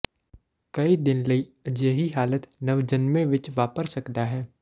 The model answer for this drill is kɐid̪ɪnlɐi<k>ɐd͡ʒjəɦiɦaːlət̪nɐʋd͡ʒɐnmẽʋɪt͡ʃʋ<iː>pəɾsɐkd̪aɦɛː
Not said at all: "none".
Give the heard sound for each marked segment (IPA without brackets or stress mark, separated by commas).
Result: none, aː